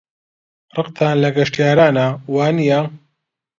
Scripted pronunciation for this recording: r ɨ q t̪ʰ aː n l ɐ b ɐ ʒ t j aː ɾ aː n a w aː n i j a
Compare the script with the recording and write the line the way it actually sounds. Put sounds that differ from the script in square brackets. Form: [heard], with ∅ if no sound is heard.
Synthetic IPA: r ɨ q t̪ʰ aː n l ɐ [ɡ] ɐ [ʃ] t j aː ɾ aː n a w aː n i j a